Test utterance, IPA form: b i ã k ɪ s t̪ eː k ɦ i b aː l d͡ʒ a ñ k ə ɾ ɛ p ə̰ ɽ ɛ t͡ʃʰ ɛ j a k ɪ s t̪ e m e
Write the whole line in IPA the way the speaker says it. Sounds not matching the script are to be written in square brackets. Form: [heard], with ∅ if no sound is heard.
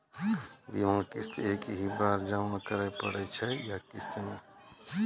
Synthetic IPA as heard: b i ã k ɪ s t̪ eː k ɦ i b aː [ɾ] d͡ʒ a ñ k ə ɾ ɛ p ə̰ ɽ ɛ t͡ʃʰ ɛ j a k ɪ s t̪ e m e

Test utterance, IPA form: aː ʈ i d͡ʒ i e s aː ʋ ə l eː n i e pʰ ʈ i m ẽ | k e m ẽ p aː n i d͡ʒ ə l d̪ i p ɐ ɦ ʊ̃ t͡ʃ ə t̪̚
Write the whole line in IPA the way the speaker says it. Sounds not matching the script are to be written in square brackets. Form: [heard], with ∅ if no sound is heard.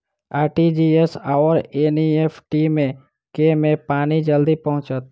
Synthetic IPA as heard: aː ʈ i d͡ʒ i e s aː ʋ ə [ɾ] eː n i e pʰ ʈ i m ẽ | k e m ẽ p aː n i d͡ʒ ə l d̪ i p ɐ ɦ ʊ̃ t͡ʃ ə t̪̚

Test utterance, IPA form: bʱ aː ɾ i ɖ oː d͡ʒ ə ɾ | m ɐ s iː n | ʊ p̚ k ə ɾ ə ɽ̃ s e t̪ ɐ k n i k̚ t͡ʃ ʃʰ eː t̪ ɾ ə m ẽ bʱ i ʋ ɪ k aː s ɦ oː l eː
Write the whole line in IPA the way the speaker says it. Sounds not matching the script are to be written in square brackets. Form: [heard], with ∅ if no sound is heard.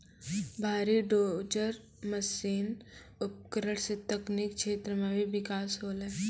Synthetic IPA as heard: bʱ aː ɾ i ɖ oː d͡ʒ ə ɾ | m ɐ s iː n | ʊ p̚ k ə ɾ ə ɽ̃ s e t̪ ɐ k n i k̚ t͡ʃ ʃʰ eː t̪ ɾ ə m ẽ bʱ i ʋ ɪ k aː s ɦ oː l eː

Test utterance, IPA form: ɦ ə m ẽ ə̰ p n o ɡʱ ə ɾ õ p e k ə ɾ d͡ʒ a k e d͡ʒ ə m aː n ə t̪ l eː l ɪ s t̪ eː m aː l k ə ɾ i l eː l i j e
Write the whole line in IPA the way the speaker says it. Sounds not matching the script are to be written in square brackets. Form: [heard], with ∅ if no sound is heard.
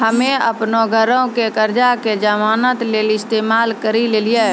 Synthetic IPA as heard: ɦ ə m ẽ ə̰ p n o ɡʱ ə ɾ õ [k] e k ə ɾ d͡ʒ a k e d͡ʒ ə m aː n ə t̪ l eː l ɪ s t̪ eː m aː l k ə ɾ i l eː l i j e

